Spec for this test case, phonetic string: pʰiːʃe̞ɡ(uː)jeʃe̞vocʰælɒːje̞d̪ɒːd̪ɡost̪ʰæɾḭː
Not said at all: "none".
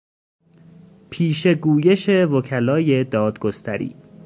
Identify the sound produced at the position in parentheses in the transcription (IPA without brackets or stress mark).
uː